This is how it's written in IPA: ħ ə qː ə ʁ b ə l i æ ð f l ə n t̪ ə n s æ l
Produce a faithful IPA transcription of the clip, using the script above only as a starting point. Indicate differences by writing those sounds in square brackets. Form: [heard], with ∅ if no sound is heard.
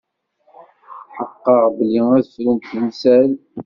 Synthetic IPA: ħ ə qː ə ʁ b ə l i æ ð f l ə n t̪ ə n s æ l